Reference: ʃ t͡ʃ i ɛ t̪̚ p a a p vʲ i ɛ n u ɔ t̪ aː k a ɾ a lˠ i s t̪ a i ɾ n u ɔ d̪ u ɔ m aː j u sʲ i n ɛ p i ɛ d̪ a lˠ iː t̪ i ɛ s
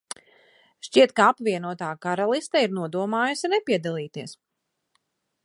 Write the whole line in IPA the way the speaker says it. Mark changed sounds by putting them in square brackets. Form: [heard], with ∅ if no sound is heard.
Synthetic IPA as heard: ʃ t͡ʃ i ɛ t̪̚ [k] a a p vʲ i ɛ n u ɔ t̪ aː k a ɾ a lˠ i s t̪ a i ɾ n u ɔ d̪ u ɔ m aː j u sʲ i n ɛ p i ɛ d̪ a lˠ iː t̪ i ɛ s